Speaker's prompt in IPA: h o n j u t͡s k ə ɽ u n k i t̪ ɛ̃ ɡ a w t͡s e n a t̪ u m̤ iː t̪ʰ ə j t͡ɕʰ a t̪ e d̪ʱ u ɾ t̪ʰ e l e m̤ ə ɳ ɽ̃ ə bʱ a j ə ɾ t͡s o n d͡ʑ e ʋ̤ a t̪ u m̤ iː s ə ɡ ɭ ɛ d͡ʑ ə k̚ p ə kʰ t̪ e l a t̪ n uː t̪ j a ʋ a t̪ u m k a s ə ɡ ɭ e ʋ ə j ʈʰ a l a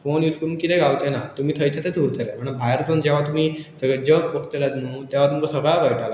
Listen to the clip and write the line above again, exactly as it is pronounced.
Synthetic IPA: f o n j u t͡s k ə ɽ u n k i t̪ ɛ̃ ɡ a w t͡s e n a t̪ u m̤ iː t̪ʰ ə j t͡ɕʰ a t̪ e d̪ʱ u ɾ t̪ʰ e l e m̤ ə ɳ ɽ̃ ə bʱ a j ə ɾ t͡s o n d͡ʑ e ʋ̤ a t̪ u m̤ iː s ə ɡ ɭ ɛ d͡ʑ ə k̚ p ə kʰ t̪ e l a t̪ n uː t̪ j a ʋ a t̪ u m k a s ə ɡ ɭ a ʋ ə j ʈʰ a l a